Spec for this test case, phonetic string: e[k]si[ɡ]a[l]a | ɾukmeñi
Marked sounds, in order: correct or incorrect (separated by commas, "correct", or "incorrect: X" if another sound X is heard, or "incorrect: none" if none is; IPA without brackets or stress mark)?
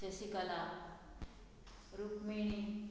incorrect: none, incorrect: k, correct